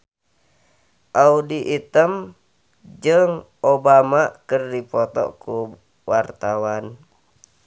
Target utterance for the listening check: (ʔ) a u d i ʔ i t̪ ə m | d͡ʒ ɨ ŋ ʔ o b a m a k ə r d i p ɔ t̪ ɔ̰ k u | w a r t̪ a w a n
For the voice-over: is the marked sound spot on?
yes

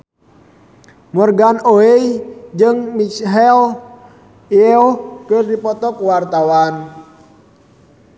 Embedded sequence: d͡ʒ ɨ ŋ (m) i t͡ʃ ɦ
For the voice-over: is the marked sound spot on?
yes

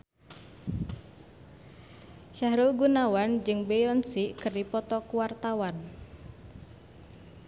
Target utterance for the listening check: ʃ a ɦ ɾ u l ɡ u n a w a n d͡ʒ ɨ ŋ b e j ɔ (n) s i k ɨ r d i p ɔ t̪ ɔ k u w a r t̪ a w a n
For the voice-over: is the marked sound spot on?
yes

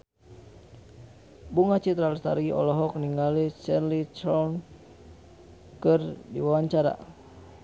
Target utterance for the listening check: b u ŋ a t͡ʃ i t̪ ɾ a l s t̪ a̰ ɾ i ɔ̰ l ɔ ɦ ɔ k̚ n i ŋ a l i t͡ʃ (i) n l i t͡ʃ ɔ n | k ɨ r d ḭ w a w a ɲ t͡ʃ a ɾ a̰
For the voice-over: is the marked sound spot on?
no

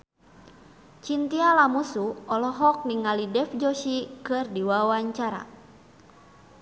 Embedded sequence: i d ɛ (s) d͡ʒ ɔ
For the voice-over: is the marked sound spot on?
no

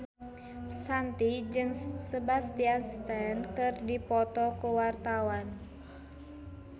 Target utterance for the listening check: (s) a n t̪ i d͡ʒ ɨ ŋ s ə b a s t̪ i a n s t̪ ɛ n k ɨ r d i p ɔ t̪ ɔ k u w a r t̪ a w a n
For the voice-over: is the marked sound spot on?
yes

